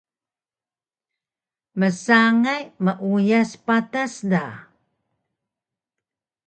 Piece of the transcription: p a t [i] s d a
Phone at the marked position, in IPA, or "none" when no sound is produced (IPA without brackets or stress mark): a